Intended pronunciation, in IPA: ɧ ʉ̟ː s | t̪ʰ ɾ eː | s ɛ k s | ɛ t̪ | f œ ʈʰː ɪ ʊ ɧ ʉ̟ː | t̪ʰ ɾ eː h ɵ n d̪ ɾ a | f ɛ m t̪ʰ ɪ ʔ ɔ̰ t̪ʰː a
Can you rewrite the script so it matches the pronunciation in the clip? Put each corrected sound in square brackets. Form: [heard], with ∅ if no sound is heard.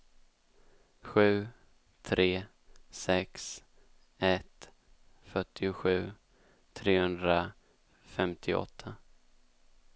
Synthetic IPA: ɧ ʉ̟ː [∅] | t̪ʰ ɾ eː | s ɛ k s | ɛ t̪ | f œ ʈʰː ɪ ʊ ɧ ʉ̟ː | t̪ʰ ɾ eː h ɵ n d̪ ɾ a | f ɛ m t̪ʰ ɪ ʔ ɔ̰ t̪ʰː a